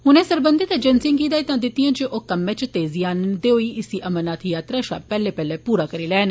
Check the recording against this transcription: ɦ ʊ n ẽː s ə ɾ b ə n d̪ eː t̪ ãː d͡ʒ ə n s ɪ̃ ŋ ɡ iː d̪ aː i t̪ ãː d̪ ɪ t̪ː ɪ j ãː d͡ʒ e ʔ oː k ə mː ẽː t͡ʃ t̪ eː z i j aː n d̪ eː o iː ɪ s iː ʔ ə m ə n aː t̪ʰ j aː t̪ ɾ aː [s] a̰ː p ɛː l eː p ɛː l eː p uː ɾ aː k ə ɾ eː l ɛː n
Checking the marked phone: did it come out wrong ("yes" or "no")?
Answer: yes